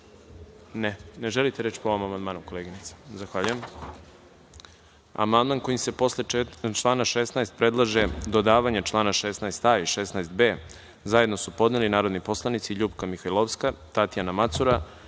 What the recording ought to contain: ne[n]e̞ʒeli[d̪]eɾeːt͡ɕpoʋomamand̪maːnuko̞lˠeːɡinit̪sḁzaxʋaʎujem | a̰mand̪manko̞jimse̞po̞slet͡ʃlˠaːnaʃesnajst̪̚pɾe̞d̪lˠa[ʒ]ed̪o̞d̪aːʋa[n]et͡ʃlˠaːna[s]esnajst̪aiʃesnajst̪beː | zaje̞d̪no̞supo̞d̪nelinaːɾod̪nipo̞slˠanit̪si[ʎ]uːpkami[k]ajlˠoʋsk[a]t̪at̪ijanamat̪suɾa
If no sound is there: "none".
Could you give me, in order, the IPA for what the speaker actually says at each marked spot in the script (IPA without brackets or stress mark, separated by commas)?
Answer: n, t̪, ʒ, ɲ, ʃ, ʎ, x, a